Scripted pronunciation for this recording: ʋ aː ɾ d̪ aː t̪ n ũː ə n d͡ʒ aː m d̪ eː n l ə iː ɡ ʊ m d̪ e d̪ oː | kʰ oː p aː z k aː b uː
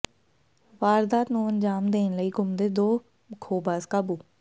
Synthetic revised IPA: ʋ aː ɾ d̪ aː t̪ n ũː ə n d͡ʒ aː m d̪ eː n l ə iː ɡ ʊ m d̪ e d̪ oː | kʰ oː b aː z k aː b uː